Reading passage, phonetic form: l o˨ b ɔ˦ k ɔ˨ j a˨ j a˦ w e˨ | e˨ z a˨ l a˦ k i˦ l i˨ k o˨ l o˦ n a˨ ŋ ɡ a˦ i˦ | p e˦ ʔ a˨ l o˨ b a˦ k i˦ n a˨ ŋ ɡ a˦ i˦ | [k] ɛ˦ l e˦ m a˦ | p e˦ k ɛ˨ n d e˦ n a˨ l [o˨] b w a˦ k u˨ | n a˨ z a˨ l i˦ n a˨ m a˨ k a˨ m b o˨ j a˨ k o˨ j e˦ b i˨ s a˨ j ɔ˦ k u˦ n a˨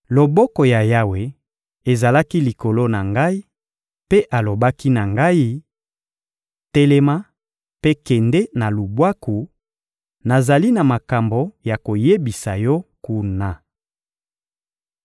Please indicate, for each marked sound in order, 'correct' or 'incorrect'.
incorrect: t, incorrect: u˨

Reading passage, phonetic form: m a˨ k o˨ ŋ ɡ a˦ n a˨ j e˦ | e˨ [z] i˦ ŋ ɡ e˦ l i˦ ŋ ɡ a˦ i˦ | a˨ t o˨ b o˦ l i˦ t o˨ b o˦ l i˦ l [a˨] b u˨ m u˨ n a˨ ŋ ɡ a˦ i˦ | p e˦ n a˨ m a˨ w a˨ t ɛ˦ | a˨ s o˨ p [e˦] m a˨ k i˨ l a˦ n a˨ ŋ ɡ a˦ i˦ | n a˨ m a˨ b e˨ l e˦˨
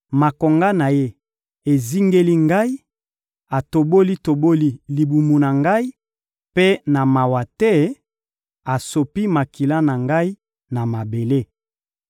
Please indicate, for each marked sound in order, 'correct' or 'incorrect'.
correct, incorrect: i˨, incorrect: i˦

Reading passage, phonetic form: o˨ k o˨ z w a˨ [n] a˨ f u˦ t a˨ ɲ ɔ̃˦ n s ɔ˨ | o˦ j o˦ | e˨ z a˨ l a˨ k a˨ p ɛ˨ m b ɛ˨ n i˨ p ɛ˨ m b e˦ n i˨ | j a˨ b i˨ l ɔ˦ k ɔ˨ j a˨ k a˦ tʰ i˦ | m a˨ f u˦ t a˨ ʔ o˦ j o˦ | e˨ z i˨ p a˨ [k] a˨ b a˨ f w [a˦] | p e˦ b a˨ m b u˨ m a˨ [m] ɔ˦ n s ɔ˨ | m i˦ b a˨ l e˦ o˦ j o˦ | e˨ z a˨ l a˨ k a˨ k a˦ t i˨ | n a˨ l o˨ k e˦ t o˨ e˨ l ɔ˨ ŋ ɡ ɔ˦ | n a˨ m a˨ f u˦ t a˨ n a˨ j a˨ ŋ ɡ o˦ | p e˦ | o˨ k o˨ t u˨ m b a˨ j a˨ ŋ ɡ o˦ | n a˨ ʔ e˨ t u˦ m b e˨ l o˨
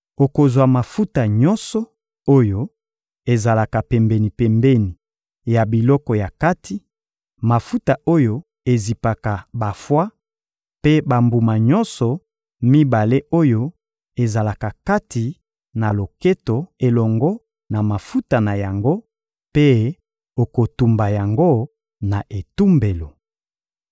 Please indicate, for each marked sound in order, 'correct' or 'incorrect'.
incorrect: m, correct, correct, incorrect: ɲ

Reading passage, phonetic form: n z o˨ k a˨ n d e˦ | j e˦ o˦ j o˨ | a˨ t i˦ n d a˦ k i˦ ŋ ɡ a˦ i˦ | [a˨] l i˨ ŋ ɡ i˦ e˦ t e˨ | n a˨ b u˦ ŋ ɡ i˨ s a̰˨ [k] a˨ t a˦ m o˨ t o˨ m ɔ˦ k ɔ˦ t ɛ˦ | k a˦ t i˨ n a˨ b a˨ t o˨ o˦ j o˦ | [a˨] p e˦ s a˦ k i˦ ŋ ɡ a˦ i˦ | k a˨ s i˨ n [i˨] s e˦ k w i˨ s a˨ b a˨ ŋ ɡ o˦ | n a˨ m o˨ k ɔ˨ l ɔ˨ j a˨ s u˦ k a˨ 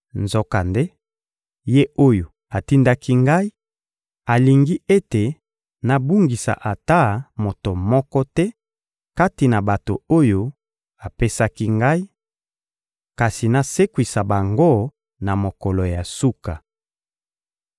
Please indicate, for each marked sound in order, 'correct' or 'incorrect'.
correct, incorrect: ʔ, correct, incorrect: a˨

